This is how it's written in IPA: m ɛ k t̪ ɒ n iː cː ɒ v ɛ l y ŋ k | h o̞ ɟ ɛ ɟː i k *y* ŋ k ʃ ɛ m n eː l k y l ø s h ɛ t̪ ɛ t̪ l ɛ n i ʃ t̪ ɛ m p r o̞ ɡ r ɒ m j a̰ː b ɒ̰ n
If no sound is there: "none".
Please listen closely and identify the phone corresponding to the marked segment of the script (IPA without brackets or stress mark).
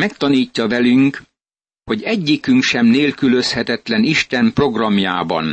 y